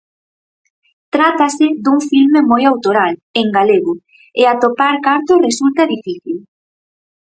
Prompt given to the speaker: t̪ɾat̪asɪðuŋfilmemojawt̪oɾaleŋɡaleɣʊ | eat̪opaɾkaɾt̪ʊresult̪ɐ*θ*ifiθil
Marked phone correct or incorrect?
incorrect